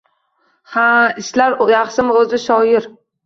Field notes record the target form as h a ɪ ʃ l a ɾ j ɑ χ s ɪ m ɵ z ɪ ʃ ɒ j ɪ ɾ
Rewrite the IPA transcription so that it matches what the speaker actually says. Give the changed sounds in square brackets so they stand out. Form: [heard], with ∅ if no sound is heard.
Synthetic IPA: h a ɪ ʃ l a ɾ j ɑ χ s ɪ m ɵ z ɪ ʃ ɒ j ɪ ɾ

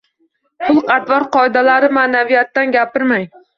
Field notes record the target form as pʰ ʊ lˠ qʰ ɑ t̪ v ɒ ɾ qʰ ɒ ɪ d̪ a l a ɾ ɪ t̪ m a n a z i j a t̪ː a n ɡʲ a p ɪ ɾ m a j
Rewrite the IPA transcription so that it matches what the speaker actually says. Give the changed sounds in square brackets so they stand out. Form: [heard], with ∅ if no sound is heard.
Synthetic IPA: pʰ ʊ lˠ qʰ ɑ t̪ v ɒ ɾ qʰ ɒ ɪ d̪ a l a ɾ ɪ [∅] m a n a [v] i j a t̪ː a n ɡʲ a p ɪ ɾ m a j

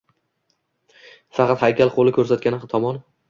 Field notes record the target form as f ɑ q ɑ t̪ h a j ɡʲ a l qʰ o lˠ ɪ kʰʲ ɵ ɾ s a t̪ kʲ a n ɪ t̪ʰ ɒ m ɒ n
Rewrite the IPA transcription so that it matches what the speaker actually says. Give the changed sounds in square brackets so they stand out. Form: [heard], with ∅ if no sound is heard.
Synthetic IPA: f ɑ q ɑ t̪ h a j [kʲ] a l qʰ o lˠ ɪ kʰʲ ɵ ɾ s a t̪ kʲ a n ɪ t̪ʰ ɒ m ɒ n

